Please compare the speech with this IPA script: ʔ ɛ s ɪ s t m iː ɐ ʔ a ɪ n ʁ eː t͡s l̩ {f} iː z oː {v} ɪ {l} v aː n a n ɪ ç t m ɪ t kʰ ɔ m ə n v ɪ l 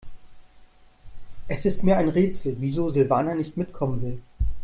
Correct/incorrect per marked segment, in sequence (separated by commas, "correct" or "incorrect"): incorrect, incorrect, correct